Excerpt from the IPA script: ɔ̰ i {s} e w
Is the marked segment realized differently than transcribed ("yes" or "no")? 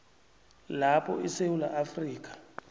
no